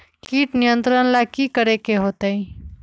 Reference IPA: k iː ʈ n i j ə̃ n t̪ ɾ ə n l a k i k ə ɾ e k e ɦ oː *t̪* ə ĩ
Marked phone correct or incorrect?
correct